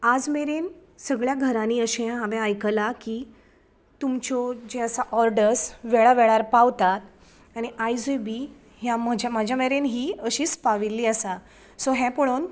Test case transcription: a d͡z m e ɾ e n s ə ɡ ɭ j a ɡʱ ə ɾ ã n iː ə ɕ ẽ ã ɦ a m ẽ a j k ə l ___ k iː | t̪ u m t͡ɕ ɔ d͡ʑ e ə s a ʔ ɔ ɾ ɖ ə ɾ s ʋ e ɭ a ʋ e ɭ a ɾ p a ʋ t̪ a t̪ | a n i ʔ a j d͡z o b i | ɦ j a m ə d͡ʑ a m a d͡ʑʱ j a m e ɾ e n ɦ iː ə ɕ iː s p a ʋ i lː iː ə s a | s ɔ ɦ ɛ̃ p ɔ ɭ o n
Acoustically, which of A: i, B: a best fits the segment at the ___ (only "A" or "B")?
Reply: B